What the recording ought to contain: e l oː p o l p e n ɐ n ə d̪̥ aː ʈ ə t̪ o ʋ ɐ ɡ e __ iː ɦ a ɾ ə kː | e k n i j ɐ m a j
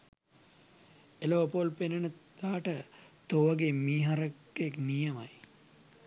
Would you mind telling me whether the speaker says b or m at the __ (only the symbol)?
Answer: m